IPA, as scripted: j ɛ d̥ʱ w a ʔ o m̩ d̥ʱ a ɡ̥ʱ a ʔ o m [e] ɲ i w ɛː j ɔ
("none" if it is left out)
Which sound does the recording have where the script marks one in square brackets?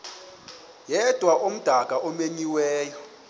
e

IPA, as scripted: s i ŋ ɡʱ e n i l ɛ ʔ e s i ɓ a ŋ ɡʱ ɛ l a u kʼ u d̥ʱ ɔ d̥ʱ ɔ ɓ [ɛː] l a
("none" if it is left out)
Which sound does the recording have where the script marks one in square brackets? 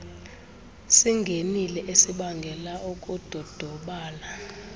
aː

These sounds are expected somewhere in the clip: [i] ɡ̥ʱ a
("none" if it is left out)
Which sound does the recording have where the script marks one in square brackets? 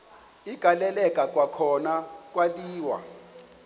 i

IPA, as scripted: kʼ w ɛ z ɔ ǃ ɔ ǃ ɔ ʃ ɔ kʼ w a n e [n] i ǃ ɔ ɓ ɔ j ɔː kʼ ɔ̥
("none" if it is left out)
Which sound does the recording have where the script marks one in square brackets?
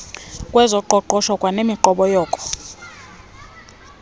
m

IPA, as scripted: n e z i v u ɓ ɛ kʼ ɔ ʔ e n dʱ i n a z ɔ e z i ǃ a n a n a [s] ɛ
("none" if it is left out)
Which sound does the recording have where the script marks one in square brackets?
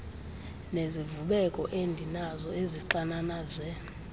z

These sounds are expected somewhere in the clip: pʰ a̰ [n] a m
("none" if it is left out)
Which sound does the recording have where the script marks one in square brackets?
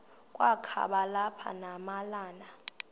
n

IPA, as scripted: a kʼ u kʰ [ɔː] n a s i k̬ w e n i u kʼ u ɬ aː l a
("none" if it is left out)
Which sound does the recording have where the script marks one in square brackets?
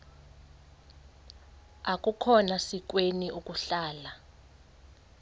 ɔ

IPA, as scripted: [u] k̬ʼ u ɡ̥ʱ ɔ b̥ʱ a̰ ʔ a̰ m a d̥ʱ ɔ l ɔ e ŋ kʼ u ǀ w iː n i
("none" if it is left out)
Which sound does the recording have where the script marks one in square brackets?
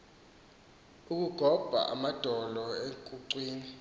u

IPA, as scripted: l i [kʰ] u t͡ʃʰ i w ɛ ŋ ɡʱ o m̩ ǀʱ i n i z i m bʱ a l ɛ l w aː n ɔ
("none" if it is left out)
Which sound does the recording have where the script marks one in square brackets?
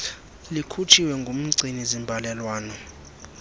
kʰ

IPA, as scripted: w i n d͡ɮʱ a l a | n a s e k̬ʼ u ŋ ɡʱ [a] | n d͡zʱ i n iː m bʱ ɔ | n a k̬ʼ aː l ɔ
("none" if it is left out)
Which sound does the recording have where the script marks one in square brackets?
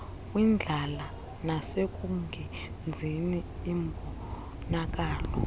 ɛ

